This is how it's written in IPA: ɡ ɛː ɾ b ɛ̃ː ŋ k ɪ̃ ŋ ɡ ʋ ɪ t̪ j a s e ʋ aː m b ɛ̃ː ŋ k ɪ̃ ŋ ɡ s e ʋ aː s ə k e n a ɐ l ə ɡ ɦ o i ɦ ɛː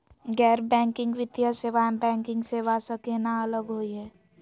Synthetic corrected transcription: ɡ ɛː ɾ b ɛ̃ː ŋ k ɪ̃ ŋ ɡ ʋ ɪ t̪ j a s e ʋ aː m b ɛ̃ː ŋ k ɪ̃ ŋ ɡ s e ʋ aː s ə k e n a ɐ l ə ɡ ɦ o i ɦ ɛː